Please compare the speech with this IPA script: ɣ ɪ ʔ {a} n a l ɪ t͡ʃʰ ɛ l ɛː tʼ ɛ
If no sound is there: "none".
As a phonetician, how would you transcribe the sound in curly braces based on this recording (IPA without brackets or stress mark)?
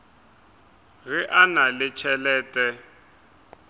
a